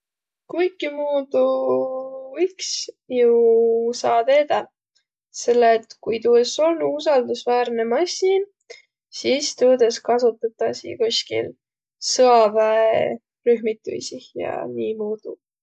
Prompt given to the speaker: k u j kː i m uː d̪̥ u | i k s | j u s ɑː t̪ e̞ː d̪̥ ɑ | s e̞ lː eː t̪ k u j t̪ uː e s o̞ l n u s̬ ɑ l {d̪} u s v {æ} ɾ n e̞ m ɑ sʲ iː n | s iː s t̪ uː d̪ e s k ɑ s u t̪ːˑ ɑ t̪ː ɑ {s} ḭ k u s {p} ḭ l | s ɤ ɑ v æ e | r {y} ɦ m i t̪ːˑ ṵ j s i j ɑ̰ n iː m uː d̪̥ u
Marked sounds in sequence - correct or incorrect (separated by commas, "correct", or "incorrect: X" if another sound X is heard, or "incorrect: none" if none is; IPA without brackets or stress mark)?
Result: correct, incorrect: æː, correct, incorrect: k, correct